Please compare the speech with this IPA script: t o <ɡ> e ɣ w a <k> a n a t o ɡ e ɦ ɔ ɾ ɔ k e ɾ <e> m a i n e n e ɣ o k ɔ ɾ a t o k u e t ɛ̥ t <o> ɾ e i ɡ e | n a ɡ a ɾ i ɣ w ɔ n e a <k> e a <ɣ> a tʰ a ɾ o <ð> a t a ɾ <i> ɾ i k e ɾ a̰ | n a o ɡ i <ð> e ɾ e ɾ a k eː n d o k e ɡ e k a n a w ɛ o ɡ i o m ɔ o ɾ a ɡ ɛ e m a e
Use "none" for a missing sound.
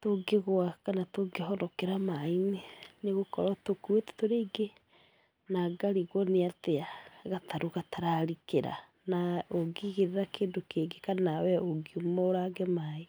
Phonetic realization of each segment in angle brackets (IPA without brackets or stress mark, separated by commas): ɡ, k, a, o, t, ɣ, ɣ, a, ɣ